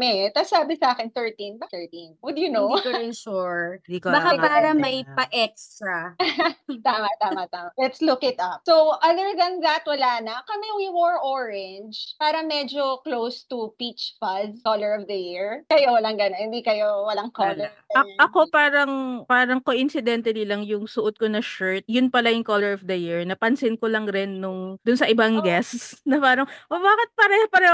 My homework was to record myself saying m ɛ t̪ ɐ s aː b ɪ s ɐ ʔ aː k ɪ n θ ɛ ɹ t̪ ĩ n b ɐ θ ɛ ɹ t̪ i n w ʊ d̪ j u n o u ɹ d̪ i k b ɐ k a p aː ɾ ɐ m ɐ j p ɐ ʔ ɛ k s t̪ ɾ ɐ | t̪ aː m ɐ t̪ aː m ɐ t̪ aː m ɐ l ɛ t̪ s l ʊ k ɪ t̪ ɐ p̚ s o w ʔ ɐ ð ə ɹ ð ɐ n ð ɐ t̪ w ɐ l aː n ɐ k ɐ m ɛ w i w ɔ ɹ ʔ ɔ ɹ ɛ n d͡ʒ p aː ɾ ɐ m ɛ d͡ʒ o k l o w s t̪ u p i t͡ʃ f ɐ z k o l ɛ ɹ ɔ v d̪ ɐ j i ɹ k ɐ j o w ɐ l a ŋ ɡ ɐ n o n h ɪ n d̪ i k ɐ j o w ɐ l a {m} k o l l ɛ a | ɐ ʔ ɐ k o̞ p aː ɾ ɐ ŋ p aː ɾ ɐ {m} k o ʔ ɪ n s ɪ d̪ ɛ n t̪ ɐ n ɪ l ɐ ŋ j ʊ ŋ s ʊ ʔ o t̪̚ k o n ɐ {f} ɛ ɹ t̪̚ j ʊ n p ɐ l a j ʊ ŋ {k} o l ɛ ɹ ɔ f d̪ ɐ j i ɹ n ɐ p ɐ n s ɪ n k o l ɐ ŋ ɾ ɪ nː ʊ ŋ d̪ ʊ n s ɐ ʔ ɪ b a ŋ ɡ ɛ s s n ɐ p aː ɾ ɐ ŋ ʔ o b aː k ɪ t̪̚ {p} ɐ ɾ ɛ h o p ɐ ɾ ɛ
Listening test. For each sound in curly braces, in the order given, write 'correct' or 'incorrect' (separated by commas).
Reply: incorrect, incorrect, incorrect, correct, correct